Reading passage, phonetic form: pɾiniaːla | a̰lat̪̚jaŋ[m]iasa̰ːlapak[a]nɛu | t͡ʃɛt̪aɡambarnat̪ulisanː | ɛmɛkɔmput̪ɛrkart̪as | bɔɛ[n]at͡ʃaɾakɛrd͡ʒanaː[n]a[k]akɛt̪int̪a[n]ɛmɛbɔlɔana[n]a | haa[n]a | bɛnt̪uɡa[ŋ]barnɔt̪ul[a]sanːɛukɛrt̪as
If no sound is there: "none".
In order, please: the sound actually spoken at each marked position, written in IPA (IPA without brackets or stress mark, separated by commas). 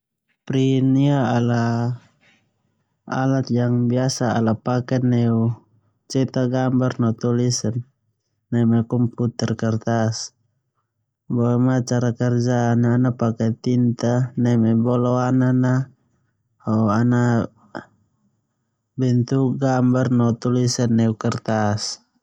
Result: b, ɛ, m, n, p, n, n, n, m, i